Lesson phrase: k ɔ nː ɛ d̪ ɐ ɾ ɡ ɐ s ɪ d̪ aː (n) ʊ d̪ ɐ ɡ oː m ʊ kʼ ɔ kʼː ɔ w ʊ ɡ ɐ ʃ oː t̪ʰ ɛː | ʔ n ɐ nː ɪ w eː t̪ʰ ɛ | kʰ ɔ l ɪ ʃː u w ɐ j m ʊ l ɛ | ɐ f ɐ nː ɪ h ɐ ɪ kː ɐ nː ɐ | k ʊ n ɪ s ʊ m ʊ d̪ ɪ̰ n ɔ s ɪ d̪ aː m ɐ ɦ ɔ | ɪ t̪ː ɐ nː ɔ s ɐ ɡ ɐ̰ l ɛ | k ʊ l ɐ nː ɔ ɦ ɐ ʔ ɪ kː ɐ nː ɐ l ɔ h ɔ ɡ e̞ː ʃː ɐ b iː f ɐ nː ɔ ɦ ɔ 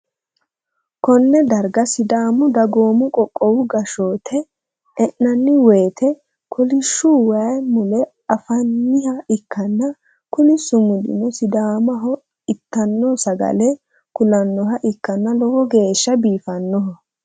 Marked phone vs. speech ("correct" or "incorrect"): incorrect